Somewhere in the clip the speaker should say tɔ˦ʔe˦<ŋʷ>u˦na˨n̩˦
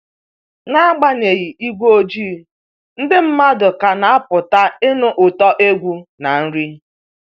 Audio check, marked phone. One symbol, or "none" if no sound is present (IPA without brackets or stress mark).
ɡʷ